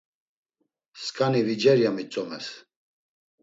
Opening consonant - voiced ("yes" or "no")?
no